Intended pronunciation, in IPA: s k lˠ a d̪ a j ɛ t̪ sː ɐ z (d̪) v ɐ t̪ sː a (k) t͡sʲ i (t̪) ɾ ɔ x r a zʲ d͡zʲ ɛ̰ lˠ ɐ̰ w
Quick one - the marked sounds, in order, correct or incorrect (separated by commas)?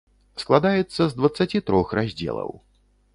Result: correct, incorrect, correct